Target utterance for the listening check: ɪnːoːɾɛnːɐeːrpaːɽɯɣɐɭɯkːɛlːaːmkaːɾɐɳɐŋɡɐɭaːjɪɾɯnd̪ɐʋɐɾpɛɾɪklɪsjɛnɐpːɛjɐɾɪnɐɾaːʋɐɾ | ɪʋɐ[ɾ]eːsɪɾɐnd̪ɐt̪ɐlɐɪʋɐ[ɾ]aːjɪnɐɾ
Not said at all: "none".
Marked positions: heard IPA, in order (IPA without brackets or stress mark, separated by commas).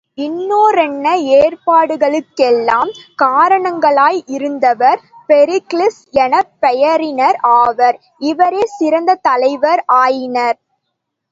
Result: ɾ, ɾ